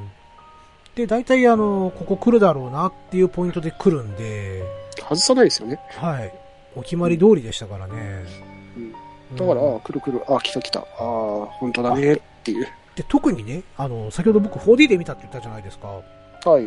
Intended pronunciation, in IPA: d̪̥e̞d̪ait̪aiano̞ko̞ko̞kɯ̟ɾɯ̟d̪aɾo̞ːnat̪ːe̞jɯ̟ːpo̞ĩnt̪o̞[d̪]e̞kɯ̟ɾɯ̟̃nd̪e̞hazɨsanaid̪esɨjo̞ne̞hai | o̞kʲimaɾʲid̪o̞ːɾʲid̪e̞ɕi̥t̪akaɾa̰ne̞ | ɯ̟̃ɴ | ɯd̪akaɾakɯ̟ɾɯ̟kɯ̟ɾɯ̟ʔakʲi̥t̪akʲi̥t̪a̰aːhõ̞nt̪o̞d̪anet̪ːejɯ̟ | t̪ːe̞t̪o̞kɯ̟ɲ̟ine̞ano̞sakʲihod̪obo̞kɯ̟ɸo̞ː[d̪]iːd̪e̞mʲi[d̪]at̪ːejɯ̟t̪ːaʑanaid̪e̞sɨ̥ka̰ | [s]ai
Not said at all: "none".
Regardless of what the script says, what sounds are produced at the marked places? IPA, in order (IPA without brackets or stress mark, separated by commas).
d̪, d̪, t̪, h